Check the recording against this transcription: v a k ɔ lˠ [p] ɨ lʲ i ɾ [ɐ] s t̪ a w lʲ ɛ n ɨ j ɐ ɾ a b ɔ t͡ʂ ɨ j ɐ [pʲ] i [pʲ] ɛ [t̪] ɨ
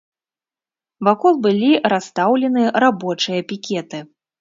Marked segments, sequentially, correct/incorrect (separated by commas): incorrect, incorrect, correct, incorrect, correct